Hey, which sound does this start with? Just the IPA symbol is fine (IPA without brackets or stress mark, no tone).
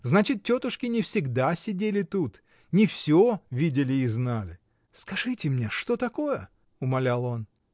z